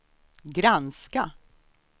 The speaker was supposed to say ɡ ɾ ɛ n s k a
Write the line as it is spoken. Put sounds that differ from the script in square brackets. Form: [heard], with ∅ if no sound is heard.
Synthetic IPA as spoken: ɡ ɾ [a] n s k a